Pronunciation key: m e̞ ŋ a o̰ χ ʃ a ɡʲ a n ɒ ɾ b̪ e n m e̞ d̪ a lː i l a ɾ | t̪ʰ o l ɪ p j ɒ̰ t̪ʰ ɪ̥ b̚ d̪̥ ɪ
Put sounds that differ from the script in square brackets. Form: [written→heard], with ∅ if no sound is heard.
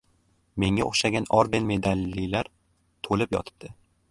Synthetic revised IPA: m e̞ ŋ a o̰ χ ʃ a ɡʲ a n ɒ ɾ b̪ e n m e̞ d̪ a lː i l a ɾ | t̪ʰ o l ɪ p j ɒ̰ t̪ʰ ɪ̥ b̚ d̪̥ ɪ